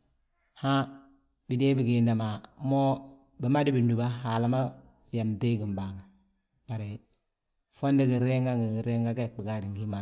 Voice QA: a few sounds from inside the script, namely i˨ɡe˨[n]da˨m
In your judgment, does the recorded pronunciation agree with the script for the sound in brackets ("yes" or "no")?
yes